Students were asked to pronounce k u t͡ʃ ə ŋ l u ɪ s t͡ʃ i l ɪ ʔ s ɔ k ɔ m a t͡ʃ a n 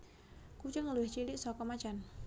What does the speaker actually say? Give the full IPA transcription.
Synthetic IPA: k u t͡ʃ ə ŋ l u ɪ h t͡ʃ i l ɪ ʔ s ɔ k ɔ m a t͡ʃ a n